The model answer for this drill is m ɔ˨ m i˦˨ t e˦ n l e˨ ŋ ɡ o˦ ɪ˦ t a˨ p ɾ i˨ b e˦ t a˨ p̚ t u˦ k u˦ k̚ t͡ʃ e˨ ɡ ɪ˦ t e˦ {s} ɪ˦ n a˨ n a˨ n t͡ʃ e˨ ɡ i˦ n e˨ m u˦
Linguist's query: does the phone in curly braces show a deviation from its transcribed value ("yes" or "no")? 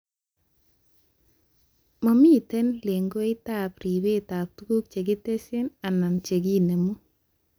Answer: no